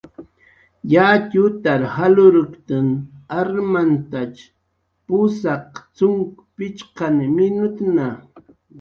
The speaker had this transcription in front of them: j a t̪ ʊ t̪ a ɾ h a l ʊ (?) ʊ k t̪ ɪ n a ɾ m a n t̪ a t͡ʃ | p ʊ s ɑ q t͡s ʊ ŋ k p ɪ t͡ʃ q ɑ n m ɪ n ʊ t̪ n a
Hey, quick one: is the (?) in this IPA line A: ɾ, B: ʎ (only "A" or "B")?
A